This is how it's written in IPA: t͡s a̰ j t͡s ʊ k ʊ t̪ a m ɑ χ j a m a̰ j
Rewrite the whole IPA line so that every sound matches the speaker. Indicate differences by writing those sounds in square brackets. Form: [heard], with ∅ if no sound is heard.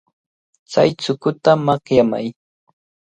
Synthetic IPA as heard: t͡s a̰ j t͡s ʊ k ʊ t̪ a m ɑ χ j a m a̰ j

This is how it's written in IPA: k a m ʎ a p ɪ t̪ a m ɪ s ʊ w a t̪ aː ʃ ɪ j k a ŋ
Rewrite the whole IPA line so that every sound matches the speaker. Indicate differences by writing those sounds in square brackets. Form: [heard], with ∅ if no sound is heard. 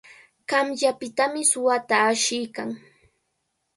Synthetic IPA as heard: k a m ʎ a p ɪ t̪ a m ɪ s ʊ w a t̪ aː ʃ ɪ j k a ŋ

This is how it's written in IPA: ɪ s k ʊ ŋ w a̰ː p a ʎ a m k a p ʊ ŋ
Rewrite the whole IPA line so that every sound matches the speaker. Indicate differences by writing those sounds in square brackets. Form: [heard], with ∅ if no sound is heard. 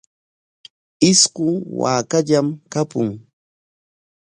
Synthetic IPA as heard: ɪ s k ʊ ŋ w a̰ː [k] a ʎ a m k a p ʊ ŋ

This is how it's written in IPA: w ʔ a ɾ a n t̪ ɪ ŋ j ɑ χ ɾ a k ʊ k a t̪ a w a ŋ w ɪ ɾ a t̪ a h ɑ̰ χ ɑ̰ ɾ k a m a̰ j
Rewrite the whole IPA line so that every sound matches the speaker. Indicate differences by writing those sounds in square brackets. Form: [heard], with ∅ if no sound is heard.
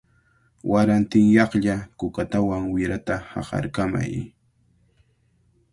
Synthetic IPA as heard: w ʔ a ɾ a n t̪ ɪ ŋ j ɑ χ [ʎ] a k ʊ k a t̪ a w a ŋ w ɪ ɾ a t̪ a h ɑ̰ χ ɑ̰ ɾ k a m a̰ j

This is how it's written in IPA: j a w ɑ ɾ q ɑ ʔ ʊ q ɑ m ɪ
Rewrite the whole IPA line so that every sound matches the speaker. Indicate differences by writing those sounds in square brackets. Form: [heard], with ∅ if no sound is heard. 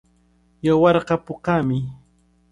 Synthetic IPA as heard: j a w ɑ ɾ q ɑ [p] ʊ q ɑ m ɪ

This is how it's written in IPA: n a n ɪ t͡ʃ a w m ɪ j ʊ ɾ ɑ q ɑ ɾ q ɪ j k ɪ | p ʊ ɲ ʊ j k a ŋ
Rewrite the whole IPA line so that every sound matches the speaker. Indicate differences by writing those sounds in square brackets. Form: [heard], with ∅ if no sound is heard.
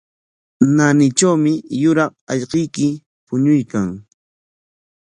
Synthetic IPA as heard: n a n ɪ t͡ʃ a w m ɪ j ʊ ɾ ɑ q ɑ [ʎ] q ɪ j k ɪ | p ʊ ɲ ʊ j k a ŋ

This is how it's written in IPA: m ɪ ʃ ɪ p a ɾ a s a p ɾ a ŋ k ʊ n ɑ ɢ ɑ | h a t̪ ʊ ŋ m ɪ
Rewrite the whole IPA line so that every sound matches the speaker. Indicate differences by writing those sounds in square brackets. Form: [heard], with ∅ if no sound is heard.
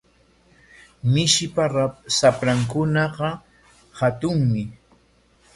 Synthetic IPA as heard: m ɪ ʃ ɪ p a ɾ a s a p ɾ a ŋ k ʊ n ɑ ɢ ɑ | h a t̪ ʊ ŋ m ɪ

